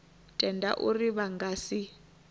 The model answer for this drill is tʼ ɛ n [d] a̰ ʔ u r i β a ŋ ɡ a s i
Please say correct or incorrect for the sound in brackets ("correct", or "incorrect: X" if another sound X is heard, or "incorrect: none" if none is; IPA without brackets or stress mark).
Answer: correct